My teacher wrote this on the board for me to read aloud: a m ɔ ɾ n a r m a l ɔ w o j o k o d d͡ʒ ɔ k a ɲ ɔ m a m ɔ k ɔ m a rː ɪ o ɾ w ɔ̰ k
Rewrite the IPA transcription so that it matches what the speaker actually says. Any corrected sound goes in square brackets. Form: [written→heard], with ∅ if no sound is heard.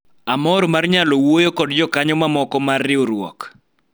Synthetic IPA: a m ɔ ɾ [n→m] a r [m→ɲ] a l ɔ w o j o k [o→ɔ] d d͡ʒ ɔ k a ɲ ɔ m a m ɔ k ɔ m a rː ɪ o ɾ w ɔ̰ k